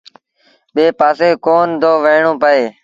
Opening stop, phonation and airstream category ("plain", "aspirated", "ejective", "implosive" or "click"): implosive